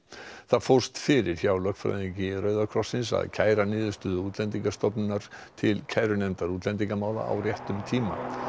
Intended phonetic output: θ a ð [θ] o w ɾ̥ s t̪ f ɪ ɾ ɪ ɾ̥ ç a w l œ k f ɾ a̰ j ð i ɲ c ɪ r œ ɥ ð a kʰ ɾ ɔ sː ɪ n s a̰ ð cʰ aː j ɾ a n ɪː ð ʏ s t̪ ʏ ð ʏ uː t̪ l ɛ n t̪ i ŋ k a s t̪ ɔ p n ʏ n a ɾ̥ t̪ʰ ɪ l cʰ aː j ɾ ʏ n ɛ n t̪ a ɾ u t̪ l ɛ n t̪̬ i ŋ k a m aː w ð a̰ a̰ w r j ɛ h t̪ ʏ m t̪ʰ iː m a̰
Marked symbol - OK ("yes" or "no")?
no